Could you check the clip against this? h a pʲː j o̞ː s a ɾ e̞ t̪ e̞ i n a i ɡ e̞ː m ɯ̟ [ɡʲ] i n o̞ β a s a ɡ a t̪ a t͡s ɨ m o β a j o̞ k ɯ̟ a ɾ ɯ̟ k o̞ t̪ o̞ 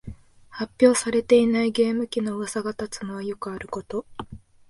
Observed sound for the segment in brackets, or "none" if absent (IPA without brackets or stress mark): kʲ